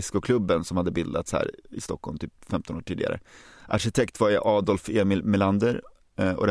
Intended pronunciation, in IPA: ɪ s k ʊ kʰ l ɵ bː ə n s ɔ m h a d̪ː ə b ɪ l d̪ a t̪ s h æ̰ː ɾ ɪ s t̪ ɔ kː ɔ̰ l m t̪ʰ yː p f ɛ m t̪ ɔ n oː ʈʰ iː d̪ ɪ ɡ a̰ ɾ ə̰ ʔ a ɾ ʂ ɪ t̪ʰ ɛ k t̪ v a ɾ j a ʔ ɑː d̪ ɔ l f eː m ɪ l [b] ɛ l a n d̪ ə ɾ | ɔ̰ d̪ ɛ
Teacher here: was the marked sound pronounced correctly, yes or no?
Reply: no